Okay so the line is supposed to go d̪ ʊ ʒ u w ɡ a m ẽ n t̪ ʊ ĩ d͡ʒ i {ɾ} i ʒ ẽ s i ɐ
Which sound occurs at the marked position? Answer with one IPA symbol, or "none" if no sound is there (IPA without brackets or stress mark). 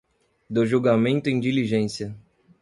l